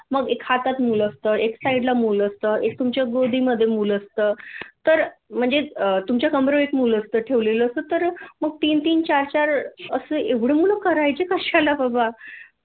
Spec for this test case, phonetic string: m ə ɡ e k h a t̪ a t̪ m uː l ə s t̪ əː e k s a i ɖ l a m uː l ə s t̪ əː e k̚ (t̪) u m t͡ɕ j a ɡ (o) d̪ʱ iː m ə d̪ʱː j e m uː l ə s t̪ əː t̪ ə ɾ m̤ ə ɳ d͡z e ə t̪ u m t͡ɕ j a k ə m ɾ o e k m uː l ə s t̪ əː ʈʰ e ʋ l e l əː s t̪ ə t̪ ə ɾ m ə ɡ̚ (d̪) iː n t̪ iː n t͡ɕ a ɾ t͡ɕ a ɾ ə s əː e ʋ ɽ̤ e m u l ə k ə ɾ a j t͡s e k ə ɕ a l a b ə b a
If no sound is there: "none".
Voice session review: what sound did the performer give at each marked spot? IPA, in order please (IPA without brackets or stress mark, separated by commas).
t̪, o, t̪